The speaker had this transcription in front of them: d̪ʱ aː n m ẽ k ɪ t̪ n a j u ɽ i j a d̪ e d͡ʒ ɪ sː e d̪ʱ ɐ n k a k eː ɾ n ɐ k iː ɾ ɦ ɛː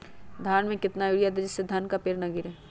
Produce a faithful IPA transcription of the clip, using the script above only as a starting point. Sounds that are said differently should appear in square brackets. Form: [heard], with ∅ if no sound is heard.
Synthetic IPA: d̪ʱ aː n m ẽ k ɪ t̪ n a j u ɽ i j a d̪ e d͡ʒ ɪ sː e d̪ʱ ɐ n k a [p] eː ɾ n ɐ [ɡ] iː ɾ ɦ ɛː